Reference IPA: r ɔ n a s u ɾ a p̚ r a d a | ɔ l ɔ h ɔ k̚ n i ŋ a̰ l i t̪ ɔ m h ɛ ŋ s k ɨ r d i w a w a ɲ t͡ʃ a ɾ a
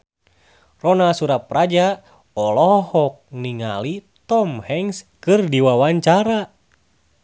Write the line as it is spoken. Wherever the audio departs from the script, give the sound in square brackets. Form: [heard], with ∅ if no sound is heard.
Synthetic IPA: r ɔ n a s u ɾ a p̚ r a [d͡ʒ] a | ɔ l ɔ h ɔ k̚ n i ŋ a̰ l i t̪ ɔ m h ɛ ŋ s k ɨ r d i w a w a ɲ t͡ʃ a ɾ a

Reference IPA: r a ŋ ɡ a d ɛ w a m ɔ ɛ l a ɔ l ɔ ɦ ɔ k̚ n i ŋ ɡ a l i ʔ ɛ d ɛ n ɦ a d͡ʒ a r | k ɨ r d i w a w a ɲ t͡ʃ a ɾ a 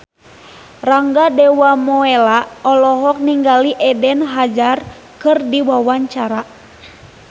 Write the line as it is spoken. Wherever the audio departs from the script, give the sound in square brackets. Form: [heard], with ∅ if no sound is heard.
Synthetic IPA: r a ŋ ɡ a d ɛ w a m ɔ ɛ l a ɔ l ɔ ɦ ɔ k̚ n i ŋ ɡ a l i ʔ ɛ d ɛ n ɦ a d͡ʒ a r | k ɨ r d i w a w a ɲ t͡ʃ a ɾ a

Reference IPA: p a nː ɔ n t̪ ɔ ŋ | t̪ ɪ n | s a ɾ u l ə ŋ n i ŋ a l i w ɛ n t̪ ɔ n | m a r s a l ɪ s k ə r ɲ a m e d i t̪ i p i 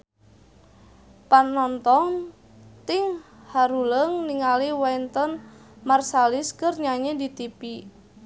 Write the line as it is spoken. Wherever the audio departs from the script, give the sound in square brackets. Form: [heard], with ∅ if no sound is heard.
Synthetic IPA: p a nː ɔ n t̪ ɔ ŋ | t̪ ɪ [ŋ] | [h] a ɾ u l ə ŋ n i ŋ a l i w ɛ n t̪ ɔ n | m a r s a l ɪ s k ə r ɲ a [ɲ] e d i t̪ i p i

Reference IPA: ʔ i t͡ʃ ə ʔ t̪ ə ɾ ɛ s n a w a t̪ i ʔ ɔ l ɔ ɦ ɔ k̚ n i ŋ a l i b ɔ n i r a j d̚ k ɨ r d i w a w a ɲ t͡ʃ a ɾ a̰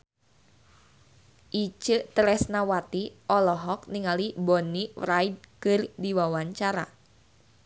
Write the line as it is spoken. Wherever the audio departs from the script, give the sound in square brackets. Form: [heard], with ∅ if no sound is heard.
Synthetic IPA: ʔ i t͡ʃ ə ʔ t̪ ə ɾ ɛ s n a w a t̪ i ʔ ɔ l ɔ ɦ ɔ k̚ n i ŋ a l i b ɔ n i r a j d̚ k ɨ r d i w a w a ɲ t͡ʃ a ɾ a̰

